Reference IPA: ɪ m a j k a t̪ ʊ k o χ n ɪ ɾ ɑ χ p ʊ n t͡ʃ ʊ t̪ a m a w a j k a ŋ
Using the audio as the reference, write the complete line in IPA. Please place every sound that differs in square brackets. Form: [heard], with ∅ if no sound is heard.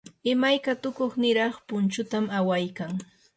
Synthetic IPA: ɪ m a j k a t̪ ʊ k o χ n ɪ ɾ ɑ χ p ʊ n t͡ʃ ʊ t̪ a m a w a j k a ŋ